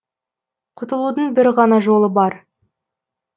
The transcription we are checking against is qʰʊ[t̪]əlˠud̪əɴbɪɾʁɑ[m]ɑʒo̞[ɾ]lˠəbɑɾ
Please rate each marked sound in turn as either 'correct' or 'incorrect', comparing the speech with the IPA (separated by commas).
correct, incorrect, incorrect